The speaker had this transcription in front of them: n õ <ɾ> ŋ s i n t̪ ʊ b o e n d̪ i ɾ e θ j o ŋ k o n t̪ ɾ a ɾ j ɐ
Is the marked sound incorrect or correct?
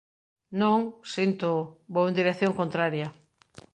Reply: incorrect: none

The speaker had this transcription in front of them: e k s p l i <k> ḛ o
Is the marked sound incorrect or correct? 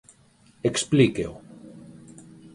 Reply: correct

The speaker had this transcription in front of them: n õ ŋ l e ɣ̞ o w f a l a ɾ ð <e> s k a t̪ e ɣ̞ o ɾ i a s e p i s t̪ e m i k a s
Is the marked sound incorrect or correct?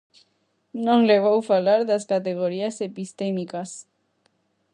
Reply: incorrect: a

